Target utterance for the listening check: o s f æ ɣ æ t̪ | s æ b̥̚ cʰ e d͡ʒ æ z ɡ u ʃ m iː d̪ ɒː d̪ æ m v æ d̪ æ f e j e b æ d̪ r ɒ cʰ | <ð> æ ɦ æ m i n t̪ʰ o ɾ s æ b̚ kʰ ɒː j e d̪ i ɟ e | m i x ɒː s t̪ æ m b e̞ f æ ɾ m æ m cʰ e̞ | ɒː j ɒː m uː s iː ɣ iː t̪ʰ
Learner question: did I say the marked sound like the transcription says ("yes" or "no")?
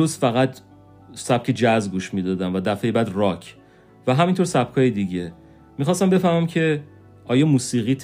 no